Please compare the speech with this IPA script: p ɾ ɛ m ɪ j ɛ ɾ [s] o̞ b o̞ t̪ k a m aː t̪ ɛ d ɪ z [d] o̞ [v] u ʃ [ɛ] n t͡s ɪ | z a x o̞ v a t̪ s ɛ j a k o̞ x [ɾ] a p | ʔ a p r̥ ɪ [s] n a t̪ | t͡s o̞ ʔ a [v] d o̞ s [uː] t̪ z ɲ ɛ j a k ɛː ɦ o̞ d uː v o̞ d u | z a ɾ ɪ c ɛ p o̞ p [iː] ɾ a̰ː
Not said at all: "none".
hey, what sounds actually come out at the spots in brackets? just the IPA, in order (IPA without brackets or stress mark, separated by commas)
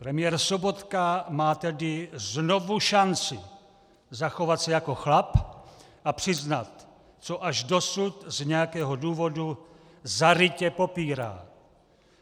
s, n, v, a, l, z, ʒ, u, iː